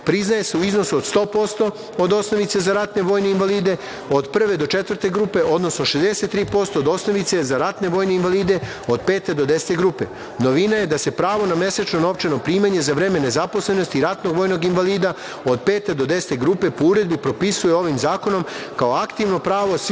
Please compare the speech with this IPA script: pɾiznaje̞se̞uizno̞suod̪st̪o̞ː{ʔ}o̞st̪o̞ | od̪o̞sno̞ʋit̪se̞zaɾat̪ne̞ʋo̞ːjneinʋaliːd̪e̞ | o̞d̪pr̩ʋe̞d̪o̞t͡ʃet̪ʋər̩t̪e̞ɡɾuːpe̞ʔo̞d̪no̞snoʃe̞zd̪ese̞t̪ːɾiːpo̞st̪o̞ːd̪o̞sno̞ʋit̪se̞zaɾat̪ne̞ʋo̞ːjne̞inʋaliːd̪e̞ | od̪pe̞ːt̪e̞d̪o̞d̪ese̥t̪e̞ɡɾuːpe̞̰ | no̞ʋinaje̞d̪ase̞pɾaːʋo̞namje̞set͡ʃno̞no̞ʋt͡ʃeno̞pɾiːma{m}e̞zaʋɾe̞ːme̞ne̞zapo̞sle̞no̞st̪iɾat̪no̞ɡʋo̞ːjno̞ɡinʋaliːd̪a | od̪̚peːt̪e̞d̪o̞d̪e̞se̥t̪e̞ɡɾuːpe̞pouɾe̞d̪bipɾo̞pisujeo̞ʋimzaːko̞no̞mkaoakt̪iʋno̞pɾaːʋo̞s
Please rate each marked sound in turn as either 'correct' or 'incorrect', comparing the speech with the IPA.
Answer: incorrect, incorrect

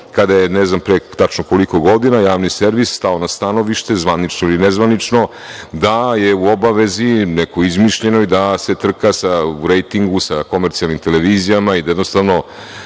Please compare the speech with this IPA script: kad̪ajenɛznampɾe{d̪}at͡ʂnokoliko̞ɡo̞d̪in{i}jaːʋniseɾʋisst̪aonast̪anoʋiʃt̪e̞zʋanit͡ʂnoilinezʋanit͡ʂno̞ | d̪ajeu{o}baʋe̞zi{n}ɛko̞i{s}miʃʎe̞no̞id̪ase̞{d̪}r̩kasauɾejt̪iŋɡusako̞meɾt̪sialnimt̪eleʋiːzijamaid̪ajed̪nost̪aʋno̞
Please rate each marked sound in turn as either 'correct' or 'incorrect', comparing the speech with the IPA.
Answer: incorrect, incorrect, correct, correct, incorrect, incorrect

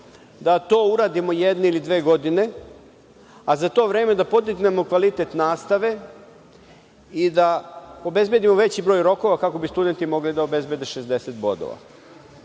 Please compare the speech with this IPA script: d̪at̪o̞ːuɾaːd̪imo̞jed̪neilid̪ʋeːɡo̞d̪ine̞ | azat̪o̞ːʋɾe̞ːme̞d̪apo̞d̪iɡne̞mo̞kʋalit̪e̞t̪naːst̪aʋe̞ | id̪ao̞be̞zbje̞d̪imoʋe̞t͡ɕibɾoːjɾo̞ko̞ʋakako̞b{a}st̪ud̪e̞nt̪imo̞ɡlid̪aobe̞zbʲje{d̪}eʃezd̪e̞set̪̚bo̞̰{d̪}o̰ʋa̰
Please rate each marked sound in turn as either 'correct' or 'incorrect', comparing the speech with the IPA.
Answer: incorrect, correct, correct

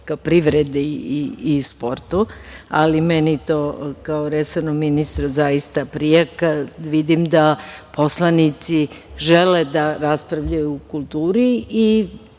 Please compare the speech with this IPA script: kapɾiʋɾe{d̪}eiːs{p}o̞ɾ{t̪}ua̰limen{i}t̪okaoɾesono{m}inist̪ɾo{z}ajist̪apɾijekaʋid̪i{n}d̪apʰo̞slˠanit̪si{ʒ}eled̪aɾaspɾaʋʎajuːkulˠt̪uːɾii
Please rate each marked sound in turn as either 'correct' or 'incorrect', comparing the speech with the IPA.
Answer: correct, correct, correct, correct, correct, correct, incorrect, correct

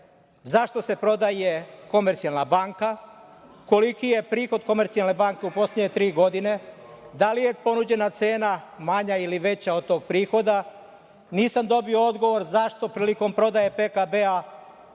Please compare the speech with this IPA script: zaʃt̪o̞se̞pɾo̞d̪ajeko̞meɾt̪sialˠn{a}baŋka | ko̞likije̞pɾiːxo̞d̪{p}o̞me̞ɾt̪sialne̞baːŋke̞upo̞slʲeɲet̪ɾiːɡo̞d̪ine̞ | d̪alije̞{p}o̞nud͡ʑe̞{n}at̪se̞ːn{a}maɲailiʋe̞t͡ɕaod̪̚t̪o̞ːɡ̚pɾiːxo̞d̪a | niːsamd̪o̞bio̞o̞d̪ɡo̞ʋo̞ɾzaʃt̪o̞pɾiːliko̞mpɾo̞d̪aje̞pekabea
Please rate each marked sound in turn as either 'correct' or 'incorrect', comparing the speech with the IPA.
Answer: correct, incorrect, correct, correct, correct

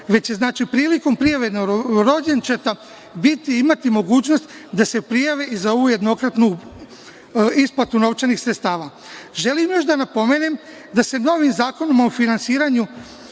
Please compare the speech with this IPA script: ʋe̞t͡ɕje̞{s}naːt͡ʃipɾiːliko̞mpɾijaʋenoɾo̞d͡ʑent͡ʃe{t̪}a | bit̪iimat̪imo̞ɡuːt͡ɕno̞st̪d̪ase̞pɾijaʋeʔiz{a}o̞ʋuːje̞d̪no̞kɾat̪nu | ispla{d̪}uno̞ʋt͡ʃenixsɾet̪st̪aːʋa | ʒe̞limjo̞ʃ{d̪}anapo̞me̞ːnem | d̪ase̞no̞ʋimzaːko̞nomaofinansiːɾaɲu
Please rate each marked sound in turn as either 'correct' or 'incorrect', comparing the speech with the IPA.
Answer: incorrect, correct, correct, incorrect, correct

